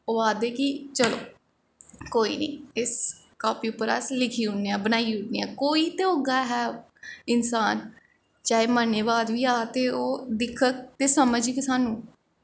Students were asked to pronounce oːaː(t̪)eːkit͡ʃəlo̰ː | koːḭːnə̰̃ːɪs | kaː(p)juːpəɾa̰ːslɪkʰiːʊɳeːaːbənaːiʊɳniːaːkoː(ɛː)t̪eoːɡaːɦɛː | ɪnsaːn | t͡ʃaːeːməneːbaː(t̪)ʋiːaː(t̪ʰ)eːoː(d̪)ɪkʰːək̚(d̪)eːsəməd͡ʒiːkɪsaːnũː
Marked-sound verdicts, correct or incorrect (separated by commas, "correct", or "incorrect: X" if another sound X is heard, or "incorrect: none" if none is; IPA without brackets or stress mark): incorrect: d̪, correct, incorrect: iː, incorrect: d̪, incorrect: t̪, correct, incorrect: t̪